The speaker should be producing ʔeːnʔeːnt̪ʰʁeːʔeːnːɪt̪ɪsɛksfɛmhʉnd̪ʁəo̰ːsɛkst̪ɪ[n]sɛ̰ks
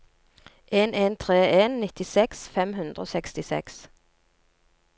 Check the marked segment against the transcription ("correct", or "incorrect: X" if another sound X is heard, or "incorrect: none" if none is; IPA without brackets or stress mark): incorrect: none